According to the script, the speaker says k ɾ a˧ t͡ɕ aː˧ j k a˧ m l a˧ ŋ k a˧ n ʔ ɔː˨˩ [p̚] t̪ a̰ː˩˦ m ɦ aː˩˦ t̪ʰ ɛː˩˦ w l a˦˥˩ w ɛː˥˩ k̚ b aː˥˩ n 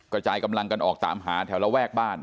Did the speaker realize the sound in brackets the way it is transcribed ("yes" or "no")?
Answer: no